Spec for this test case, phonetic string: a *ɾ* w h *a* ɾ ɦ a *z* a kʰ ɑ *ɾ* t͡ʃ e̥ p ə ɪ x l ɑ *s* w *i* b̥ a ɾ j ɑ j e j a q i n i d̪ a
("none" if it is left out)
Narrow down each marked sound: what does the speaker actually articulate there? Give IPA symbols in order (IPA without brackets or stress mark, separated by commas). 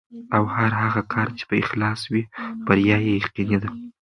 none, a, ɣ, ɾ, s, i